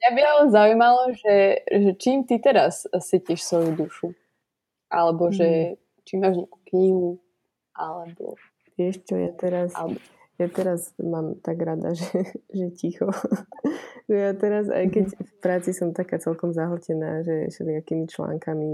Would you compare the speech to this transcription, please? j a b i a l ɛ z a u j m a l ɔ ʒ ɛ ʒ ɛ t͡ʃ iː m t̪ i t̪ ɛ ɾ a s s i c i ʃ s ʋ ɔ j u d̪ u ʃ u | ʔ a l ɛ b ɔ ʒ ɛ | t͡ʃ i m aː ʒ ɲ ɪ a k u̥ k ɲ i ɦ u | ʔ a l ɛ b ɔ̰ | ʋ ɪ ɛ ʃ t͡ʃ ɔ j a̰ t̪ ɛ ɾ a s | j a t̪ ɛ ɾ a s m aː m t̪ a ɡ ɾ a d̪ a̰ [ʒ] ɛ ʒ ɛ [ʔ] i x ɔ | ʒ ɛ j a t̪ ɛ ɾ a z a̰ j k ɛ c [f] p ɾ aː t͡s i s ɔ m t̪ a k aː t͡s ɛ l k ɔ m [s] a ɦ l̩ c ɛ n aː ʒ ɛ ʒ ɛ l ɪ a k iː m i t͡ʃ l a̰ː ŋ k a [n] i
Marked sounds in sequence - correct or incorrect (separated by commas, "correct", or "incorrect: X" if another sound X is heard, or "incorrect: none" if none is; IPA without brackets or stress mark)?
correct, incorrect: c, correct, incorrect: z, incorrect: m